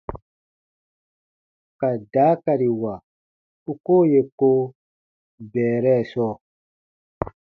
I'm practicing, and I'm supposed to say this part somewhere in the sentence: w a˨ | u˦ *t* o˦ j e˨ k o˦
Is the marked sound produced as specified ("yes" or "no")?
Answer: no